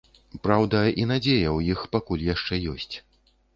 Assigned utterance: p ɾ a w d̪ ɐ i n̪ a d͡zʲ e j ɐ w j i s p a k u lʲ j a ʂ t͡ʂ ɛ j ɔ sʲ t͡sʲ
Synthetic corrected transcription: p ɾ a w d̪ ɐ i n̪ a d͡zʲ e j ɐ w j i x p a k u lʲ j a ʂ t͡ʂ ɛ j ɔ sʲ t͡sʲ